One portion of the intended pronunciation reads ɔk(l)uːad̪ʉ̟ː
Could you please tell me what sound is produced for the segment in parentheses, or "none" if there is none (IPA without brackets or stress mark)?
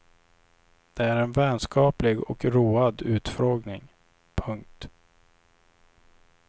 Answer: ɾ